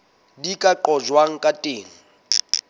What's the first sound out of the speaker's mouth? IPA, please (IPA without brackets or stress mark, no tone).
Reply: d